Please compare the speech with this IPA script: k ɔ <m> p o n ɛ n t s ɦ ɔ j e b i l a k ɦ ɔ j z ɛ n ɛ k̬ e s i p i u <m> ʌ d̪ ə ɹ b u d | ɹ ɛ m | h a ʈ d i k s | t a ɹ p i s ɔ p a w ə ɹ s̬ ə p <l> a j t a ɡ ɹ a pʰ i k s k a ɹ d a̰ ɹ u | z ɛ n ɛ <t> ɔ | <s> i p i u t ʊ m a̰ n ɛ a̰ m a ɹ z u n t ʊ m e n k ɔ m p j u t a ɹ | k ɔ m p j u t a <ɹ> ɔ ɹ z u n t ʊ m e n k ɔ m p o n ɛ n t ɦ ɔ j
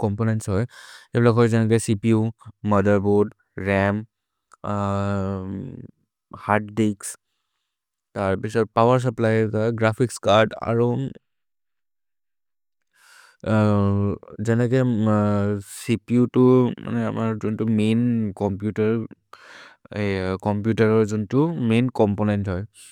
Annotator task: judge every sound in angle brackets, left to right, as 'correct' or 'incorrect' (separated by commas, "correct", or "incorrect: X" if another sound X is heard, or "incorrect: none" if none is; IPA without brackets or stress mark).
correct, correct, correct, incorrect: k, correct, correct